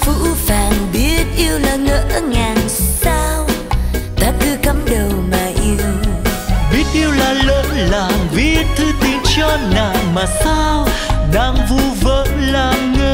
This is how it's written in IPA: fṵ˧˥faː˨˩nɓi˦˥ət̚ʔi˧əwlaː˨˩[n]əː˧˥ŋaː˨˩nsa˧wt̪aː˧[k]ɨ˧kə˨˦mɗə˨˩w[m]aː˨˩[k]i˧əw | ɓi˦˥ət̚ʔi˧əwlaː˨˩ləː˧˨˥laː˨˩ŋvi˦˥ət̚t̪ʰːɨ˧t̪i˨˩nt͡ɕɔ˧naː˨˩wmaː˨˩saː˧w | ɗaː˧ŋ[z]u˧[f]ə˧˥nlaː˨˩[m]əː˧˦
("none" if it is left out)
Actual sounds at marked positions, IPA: ŋ, k, m, ʔ, v, v, ŋ

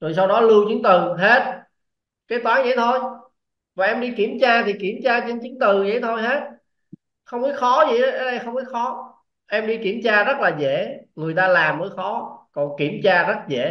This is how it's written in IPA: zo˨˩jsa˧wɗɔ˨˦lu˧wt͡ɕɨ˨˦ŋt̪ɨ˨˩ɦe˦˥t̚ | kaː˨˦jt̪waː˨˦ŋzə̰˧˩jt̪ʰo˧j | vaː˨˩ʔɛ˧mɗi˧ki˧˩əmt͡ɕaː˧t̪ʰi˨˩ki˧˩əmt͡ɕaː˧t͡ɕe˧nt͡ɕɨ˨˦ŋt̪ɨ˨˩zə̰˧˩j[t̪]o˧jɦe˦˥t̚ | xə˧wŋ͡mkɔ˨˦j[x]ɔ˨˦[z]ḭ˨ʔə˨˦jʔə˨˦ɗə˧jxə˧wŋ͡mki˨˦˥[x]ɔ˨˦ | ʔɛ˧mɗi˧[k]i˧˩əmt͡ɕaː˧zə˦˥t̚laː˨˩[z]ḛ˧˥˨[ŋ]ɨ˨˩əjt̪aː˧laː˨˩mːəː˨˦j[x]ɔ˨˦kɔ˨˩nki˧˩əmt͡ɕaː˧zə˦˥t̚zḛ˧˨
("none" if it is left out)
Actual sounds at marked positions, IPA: t̪ʰ, x, z, x, k, z, ŋ, x

